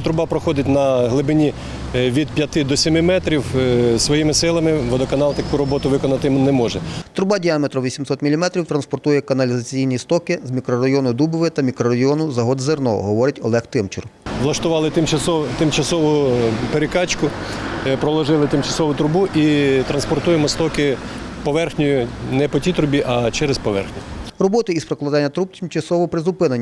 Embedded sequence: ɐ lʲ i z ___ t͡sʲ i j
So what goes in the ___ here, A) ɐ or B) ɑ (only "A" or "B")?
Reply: A